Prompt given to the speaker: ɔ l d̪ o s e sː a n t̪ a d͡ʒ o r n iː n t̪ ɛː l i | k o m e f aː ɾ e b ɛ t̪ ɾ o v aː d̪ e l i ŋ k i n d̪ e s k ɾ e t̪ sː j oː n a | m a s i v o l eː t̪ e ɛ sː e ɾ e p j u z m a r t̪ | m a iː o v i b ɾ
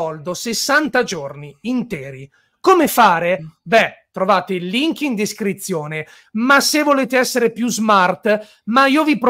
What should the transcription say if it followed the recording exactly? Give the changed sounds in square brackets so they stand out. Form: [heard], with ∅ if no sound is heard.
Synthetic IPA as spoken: ɔ l d̪ o s e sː a n t̪ a d͡ʒ o r n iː n t̪ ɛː [ɾ] i | k o m e f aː ɾ e b ɛ t̪ ɾ o v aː [t̪] e l i ŋ k i n d̪ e s k ɾ [i] t̪ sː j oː n [e] | m a s [e] v o l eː t̪ e ɛ sː e ɾ e p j u z m a r t̪ | m a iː o v i [p] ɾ